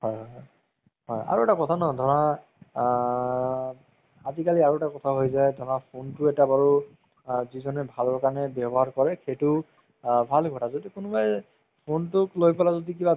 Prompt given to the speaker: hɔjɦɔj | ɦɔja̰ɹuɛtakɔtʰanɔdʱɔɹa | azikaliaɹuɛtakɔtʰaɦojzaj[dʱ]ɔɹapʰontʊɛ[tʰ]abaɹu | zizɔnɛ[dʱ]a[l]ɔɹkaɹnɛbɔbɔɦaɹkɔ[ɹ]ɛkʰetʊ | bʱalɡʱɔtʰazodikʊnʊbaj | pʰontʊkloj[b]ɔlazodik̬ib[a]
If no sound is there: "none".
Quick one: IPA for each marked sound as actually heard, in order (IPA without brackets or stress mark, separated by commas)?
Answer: dʱ, t, bʱ, l, ɹ, p, a